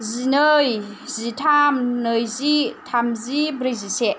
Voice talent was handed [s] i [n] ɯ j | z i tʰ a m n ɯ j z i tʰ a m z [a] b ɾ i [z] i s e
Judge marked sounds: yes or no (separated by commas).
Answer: no, yes, no, yes